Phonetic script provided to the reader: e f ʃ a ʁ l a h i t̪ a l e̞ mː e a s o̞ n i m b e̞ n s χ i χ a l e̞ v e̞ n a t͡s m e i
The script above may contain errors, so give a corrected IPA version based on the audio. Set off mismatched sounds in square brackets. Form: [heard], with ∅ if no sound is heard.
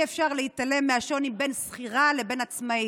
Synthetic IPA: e f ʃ a ʁ l [e] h i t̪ a l e̞ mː e a [ʃ] o̞ n i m b e̞ n s χ i [ʁ] a l e̞ [b] e̞ n a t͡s m [a] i